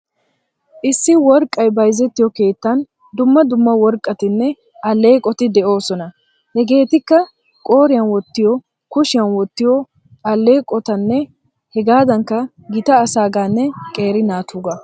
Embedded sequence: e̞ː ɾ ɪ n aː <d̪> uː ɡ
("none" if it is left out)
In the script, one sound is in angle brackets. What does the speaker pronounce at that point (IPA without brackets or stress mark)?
t̪